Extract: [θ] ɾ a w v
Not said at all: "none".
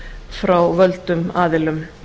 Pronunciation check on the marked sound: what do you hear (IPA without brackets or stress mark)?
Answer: f